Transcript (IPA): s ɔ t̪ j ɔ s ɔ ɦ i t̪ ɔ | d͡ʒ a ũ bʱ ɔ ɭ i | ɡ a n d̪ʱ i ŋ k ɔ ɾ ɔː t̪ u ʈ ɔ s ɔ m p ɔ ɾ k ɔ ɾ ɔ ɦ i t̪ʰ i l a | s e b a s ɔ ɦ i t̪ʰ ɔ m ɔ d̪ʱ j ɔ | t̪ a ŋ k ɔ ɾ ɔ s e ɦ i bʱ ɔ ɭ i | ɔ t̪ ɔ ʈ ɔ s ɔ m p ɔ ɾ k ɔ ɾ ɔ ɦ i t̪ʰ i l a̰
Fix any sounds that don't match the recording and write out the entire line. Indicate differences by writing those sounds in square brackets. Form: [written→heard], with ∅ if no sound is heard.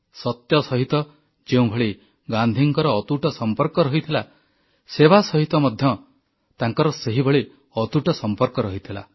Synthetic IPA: s ɔ t̪ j ɔ s ɔ ɦ i t̪ ɔ | d͡ʒ [a→e] ũ bʱ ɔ ɭ i | ɡ a n d̪ʱ i ŋ k ɔ ɾ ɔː t̪ u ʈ ɔ s ɔ m p ɔ ɾ k ɔ ɾ ɔ ɦ i t̪ʰ i l a | s e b a s ɔ ɦ i [t̪ʰ→t̪] ɔ m ɔ d̪ʱ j ɔ | t̪ a ŋ k ɔ ɾ ɔ s e ɦ i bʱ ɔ ɭ i | ɔ t̪ [ɔ→u] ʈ ɔ s ɔ m p ɔ ɾ k ɔ ɾ ɔ ɦ i t̪ʰ i l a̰